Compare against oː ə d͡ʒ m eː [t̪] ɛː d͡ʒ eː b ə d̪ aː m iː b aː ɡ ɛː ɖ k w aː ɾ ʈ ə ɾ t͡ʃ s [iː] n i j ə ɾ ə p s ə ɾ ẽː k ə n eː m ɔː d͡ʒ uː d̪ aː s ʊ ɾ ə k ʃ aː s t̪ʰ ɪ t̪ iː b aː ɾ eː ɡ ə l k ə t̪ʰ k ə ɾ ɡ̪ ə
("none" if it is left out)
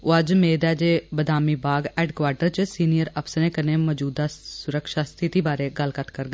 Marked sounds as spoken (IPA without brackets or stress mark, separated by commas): d̪, iː